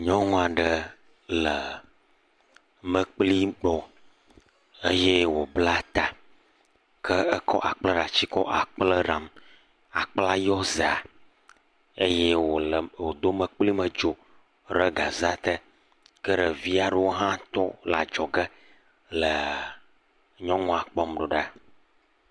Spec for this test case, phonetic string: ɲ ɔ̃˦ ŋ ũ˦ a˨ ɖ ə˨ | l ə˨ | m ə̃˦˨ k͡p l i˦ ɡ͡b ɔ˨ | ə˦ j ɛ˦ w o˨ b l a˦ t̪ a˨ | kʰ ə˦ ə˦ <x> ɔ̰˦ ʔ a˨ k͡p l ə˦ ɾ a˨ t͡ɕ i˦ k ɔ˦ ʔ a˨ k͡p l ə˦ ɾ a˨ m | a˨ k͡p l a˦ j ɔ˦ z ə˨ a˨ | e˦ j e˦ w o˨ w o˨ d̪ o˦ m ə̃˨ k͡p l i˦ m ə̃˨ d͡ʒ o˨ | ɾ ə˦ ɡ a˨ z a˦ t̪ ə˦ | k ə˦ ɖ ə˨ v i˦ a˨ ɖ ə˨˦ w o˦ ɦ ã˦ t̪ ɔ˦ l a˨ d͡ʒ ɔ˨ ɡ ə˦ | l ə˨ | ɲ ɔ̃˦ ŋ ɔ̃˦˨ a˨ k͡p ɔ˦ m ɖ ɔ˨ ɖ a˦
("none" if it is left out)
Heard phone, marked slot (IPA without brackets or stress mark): k